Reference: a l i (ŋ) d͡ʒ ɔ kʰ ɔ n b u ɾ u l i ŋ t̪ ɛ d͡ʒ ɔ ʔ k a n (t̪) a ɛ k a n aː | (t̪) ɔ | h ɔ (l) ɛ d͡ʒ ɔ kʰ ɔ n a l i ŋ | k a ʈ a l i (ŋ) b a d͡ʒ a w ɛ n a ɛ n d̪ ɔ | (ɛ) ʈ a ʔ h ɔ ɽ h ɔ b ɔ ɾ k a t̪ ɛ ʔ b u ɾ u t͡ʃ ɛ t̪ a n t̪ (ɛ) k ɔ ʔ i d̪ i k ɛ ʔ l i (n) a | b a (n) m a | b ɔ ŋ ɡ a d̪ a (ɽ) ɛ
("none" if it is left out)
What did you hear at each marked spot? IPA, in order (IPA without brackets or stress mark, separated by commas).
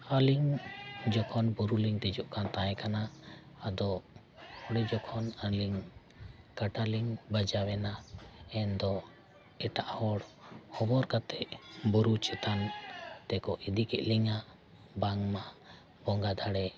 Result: ŋ, t̪, d̪, ɽ, ŋ, ɛ, ɛ, ŋ, ŋ, ɽ